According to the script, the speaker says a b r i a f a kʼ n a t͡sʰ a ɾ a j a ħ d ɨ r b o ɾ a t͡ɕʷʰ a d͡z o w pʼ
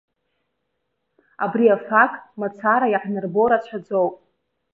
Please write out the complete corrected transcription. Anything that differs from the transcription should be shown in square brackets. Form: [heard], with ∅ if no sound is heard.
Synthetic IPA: a b r i a f a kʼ [m] a t͡sʰ a ɾ a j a ħ [n] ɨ r b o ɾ a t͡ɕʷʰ a d͡z o w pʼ

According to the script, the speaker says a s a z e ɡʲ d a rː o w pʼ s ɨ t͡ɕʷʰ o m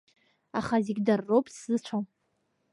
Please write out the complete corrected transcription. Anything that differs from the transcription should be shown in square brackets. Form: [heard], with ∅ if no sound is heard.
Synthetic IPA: a [χ] a z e ɡʲ d a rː o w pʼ s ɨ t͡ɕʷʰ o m

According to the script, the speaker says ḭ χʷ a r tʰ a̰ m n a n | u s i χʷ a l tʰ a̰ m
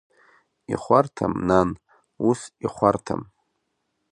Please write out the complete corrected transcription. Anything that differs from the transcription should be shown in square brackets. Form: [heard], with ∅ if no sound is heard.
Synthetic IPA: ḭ χʷ a r tʰ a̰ m n a n | u s i χʷ a [r] tʰ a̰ m

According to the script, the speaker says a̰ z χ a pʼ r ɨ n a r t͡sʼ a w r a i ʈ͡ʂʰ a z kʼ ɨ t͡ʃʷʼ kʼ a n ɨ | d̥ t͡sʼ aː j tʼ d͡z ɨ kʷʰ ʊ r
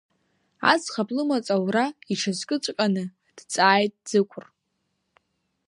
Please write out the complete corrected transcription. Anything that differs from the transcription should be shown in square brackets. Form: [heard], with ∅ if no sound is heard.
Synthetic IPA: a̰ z χ a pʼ [l] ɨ [m] a [∅] t͡sʼ a w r a i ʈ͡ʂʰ a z kʼ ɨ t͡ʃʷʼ kʼ a n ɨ | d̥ t͡sʼ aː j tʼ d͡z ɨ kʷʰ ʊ r

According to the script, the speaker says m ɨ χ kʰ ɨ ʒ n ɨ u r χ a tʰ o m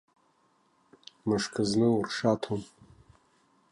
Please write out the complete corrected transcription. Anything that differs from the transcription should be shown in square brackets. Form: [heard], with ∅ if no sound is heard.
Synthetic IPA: m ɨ [ʂ] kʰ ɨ [z] n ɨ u r [ʂ] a tʰ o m

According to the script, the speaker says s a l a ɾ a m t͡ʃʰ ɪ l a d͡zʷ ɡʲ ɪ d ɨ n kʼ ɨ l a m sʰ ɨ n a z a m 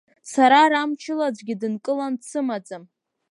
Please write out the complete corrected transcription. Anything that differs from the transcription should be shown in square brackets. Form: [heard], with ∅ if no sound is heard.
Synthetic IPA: s a [ɾ] a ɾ a m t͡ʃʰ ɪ l a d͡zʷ ɡʲ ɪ d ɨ n kʼ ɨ l a [n] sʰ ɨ [m] a [d͡z] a m

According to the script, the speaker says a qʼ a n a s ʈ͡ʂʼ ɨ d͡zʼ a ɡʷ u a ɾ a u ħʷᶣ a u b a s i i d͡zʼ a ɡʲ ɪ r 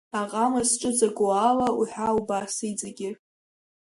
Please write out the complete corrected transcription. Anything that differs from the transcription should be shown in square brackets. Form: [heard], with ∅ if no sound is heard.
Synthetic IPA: a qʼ a [m] a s ʈ͡ʂʼ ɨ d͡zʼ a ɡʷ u a [l] a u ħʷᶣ a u b a s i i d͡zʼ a ɡʲ ɪ r

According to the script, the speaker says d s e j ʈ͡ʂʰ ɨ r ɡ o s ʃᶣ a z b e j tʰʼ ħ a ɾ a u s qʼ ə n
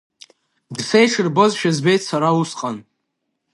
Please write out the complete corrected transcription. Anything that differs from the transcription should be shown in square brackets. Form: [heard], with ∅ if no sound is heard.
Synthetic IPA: d s e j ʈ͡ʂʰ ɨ r [b] o [z] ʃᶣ a z b e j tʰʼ [s] a ɾ a u s qʼ [a] n

